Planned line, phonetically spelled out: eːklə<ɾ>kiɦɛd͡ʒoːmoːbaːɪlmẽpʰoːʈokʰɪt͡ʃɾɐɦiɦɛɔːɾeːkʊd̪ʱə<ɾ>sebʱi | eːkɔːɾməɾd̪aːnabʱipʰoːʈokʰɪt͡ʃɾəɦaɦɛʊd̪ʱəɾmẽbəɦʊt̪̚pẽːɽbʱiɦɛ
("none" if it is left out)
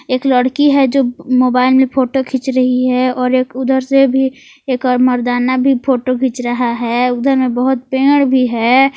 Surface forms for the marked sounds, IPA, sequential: ɽ, ɾ

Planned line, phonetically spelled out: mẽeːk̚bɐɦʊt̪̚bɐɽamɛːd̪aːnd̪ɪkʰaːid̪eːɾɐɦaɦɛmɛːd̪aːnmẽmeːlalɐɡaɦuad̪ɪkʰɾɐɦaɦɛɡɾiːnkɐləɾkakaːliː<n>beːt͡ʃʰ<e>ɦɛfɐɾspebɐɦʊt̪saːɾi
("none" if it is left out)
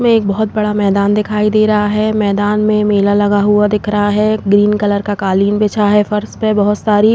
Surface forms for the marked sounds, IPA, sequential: n, a

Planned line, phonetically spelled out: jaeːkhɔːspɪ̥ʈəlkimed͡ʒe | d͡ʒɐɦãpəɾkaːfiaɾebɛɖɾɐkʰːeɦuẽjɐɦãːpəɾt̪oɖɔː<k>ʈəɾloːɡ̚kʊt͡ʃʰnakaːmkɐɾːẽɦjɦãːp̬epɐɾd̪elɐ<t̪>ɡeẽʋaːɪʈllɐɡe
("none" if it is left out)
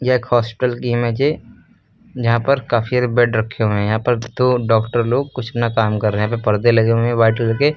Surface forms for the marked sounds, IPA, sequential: k, none

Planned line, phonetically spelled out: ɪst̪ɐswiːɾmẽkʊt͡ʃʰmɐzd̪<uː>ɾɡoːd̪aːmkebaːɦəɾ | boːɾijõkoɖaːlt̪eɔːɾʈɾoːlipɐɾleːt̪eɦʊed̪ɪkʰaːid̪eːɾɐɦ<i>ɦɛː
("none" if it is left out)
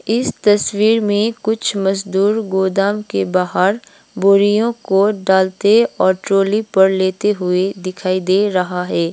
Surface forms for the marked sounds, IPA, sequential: uː, a

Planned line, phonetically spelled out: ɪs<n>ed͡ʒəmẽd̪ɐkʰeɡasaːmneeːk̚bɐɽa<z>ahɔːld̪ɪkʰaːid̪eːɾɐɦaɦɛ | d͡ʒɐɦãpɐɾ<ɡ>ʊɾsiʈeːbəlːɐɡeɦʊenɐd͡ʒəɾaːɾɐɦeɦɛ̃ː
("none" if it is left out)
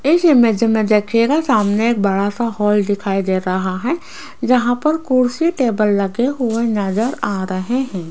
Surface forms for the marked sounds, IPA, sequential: m, s, k

